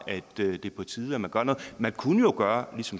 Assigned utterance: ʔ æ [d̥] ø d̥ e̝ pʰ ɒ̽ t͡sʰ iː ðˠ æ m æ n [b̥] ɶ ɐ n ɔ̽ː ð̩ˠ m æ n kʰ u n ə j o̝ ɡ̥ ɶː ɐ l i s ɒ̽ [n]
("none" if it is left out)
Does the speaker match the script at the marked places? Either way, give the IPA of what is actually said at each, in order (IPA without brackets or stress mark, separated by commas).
d̥, ɡ̥, m